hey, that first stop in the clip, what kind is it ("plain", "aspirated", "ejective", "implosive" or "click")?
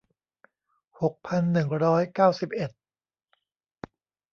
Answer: plain